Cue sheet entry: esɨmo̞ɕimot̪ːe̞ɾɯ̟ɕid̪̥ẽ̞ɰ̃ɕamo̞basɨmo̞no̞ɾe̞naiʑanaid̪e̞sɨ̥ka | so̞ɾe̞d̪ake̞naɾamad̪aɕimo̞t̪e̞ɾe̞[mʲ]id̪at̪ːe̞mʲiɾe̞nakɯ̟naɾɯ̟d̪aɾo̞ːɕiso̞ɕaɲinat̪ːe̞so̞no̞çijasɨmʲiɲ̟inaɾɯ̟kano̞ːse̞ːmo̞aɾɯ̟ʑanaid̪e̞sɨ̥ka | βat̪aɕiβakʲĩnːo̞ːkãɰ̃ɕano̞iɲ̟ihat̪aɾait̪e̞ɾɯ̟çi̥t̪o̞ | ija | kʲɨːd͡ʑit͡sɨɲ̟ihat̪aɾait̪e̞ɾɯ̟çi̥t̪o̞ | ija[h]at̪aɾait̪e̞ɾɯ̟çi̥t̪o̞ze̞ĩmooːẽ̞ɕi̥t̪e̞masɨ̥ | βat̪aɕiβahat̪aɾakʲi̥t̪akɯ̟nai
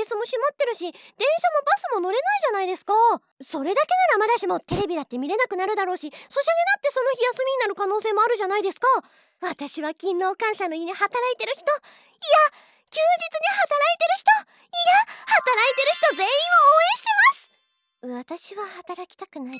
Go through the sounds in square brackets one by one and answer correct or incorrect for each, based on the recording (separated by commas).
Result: incorrect, correct